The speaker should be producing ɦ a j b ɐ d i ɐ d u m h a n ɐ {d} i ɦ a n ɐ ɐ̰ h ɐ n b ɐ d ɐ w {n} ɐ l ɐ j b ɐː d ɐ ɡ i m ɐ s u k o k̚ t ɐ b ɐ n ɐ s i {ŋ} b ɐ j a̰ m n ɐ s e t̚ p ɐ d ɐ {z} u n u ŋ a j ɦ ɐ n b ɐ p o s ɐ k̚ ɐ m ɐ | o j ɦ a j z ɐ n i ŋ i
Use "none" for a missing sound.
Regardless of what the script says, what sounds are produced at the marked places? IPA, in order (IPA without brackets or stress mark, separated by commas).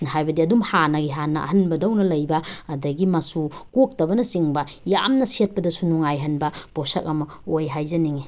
ɡ, n, ŋ, s